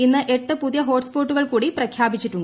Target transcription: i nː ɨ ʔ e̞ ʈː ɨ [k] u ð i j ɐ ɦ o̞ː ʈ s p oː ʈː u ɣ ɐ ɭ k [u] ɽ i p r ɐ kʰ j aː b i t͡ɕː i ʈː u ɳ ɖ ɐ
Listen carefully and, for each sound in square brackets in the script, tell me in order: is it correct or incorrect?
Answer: incorrect, incorrect

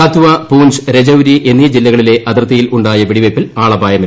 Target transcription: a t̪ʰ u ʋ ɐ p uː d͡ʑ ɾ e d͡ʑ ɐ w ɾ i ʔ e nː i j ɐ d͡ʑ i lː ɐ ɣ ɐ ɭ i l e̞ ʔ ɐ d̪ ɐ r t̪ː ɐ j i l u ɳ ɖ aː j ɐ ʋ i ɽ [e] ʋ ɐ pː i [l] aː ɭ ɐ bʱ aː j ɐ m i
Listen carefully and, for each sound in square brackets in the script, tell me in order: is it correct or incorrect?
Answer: incorrect, correct

